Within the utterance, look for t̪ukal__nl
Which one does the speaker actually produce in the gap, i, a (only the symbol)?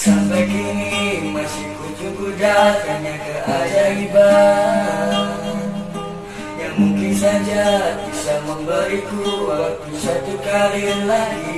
i